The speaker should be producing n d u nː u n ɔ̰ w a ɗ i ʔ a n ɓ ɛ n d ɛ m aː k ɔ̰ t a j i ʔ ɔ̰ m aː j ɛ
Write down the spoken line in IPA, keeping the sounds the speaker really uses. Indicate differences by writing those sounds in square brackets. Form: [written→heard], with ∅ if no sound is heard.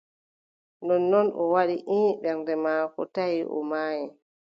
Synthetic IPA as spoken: n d [u→ɔ] nː [u→ɔ] n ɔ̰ w a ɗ i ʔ [a→i] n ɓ ɛ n d ɛ m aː k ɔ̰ t a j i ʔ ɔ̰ m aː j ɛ